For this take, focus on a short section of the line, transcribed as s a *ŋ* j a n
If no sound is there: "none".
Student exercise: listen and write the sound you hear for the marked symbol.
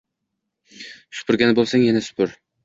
ŋ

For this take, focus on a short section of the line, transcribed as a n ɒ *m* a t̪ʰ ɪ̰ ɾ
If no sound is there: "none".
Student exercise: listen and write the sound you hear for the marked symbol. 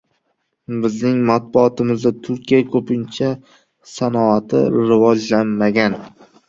none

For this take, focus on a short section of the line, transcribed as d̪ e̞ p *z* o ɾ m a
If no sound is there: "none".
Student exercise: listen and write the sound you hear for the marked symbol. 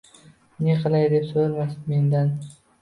s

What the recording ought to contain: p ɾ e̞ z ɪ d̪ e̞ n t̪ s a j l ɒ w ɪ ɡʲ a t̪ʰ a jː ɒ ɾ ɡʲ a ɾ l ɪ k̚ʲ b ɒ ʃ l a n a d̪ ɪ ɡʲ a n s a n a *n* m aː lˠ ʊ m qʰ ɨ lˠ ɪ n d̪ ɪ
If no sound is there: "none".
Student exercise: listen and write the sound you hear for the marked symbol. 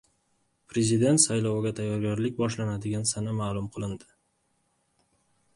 none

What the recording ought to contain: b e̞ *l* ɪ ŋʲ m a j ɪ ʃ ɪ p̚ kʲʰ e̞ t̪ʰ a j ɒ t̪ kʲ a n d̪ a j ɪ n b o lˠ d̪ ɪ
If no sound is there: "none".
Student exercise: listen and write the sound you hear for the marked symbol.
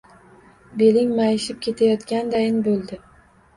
l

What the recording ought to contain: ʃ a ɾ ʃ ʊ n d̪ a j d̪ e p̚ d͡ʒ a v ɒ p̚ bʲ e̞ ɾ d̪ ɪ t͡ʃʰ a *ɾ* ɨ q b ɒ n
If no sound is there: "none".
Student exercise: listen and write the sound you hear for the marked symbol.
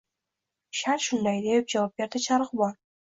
ɾ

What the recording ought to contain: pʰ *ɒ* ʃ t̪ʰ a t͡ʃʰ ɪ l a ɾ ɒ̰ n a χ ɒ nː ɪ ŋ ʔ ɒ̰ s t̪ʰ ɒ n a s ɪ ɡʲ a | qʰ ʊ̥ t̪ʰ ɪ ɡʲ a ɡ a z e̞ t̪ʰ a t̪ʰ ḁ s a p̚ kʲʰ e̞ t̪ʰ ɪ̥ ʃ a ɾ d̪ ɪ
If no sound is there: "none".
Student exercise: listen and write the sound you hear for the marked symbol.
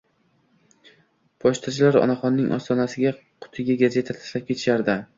ɒ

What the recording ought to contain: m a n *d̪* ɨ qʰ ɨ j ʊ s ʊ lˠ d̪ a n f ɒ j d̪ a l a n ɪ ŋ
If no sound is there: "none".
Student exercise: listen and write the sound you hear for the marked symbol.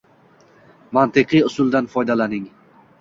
t̪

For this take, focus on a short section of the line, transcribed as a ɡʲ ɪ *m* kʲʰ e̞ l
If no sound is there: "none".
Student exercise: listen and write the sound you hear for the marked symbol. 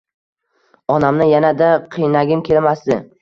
m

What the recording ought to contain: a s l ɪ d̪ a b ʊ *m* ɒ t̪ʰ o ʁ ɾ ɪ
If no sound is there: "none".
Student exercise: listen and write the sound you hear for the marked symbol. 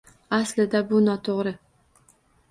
n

